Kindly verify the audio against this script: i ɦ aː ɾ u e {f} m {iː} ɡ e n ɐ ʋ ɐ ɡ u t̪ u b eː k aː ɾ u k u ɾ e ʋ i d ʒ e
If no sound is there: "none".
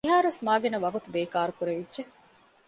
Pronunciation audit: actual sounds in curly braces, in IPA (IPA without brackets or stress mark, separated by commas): s, aː